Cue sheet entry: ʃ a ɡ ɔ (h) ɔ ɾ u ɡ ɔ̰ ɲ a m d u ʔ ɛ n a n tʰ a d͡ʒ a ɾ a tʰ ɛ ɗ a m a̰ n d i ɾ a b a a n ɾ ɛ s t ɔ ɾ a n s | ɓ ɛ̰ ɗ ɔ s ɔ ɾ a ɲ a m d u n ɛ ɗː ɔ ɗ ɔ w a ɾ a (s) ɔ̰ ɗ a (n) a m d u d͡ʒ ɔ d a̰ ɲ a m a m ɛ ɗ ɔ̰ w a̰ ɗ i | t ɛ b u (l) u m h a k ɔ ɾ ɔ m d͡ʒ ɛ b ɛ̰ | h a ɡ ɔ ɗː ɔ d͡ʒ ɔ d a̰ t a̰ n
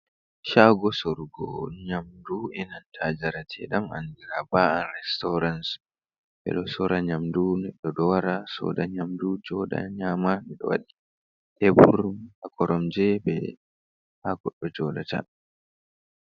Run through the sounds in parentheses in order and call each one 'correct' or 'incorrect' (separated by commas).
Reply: incorrect, correct, incorrect, incorrect